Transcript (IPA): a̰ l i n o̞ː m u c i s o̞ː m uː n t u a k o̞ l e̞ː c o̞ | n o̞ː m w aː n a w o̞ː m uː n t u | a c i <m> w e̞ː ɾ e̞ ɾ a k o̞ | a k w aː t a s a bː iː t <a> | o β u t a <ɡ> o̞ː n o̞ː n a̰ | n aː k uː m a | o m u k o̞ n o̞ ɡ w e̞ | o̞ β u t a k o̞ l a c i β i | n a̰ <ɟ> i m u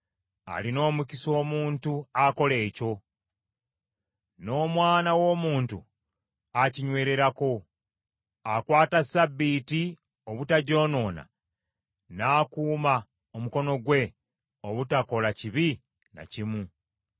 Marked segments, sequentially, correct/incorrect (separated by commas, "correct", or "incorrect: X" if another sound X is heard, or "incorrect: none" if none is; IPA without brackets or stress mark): incorrect: ɲ, incorrect: i, incorrect: ɟ, incorrect: c